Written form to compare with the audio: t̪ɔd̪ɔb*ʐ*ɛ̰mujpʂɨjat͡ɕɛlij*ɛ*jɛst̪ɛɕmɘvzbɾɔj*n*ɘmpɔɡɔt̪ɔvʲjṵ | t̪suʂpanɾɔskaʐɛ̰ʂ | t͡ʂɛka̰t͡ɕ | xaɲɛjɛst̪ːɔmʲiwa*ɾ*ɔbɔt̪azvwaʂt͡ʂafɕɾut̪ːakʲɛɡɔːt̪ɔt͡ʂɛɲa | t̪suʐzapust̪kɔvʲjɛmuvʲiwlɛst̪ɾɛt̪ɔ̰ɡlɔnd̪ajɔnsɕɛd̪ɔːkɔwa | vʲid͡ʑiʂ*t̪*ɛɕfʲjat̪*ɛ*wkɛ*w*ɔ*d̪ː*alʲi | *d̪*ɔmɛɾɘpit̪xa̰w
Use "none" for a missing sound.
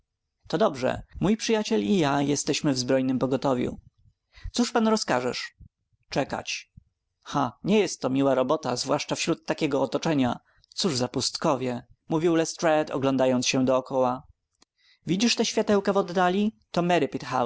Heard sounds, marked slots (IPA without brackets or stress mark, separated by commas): ʐ, a, n, ɾ, t̪, ɛ, v, d̪ː, t̪